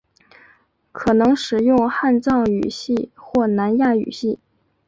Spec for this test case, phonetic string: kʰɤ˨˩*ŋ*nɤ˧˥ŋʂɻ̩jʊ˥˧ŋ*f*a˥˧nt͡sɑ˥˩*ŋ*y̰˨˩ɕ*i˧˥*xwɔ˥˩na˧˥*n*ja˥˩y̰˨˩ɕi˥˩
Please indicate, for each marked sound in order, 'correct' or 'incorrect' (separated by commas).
incorrect, incorrect, correct, incorrect, correct